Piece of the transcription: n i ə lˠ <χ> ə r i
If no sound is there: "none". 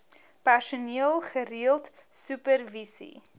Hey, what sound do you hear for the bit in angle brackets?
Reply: χ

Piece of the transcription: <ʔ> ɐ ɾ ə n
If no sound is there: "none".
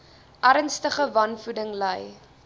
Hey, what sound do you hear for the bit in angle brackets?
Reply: ʔ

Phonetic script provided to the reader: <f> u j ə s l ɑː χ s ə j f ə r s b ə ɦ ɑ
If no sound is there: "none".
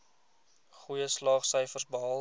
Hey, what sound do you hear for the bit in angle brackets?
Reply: χ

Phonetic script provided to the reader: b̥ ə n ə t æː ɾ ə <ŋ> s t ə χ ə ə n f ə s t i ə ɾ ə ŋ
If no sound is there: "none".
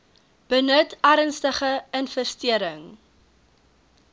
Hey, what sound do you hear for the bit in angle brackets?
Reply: n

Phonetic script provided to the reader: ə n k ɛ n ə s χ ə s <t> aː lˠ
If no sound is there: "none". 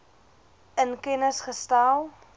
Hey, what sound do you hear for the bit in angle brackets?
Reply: t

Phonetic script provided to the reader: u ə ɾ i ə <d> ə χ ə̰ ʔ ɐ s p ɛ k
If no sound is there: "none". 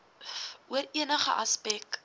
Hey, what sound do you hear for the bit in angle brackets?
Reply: n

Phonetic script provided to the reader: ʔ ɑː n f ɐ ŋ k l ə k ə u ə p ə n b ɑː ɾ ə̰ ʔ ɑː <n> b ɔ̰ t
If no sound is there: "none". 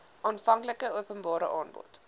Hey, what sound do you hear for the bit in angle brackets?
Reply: n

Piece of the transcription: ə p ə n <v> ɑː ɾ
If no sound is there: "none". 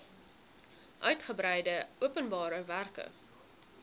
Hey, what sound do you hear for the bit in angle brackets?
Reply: b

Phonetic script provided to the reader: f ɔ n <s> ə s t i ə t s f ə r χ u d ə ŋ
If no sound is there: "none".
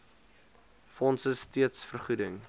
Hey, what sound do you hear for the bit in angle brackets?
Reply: s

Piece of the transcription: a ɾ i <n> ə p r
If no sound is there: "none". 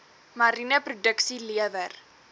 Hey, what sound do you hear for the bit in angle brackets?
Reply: n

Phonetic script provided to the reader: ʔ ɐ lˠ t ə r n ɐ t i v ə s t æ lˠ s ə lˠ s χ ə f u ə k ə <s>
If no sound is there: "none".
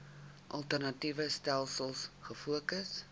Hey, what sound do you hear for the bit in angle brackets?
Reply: s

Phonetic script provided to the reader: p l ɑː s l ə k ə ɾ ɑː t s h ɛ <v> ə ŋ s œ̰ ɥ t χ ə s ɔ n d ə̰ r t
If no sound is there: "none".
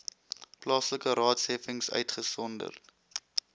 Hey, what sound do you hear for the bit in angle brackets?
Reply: f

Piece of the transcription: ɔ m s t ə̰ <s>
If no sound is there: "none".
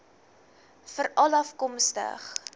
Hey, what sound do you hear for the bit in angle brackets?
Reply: χ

